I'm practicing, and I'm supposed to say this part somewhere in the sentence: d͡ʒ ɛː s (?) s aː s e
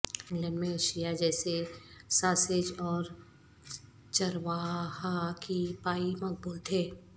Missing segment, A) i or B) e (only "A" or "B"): B